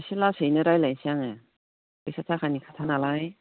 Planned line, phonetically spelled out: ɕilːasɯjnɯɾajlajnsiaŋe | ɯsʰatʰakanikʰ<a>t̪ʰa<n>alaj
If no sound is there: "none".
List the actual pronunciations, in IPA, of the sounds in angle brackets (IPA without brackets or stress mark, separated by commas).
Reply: a, n